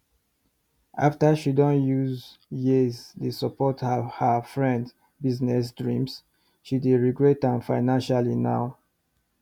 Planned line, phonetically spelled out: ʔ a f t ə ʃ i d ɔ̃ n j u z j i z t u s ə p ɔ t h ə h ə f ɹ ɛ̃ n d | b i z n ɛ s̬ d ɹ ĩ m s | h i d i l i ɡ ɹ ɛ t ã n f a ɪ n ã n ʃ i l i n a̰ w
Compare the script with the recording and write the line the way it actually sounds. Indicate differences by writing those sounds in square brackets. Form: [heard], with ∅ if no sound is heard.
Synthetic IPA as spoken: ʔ a f t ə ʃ i d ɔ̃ n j u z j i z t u s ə p ɔ t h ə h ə f ɹ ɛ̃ n d | b i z n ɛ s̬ d ɹ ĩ m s | [ʃ] i d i [ɹ] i ɡ ɹ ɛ t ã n f a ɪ n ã n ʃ [a] l i n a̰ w